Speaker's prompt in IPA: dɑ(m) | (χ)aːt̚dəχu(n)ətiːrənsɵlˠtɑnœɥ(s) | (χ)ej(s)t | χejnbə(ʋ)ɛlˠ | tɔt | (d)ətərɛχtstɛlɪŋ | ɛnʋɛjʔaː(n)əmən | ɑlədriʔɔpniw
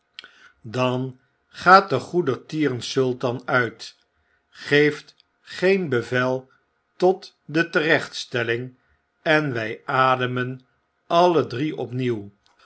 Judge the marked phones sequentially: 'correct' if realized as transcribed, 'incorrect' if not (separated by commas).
incorrect, correct, incorrect, incorrect, correct, incorrect, incorrect, correct, incorrect